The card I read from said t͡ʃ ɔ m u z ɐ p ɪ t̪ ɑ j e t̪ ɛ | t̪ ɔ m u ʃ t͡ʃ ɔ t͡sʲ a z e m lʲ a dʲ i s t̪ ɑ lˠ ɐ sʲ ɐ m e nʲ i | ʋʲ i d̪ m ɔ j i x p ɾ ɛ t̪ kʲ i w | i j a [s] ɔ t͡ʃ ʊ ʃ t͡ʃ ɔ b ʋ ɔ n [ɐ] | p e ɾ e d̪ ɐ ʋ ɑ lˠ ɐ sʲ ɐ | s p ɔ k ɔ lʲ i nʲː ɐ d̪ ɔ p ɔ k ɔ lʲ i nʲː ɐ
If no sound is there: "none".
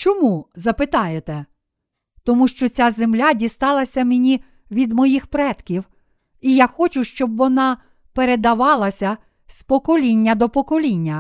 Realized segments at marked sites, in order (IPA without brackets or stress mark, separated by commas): x, ɑ